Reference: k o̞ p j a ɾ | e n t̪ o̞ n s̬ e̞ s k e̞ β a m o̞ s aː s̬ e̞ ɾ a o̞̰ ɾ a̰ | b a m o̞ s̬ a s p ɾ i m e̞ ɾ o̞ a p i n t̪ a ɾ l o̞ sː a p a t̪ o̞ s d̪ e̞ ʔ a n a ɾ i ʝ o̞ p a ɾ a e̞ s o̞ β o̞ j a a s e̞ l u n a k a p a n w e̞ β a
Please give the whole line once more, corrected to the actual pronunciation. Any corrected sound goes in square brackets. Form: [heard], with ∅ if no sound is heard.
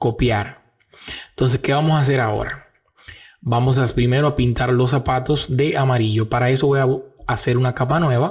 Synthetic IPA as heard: k o̞ p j a ɾ | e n t̪ o̞ n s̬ e̞ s k e̞ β a m o̞ s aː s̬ e̞ ɾ a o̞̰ ɾ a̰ | b a m o̞ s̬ a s p ɾ i m e̞ ɾ o̞ a p i n t̪ a ɾ l o̞ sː a p a t̪ o̞ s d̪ e̞ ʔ a [m] a ɾ i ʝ o̞ p a ɾ a e̞ s o̞ β o̞ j a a s e̞ [ɾ] u n a k a p a n w e̞ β a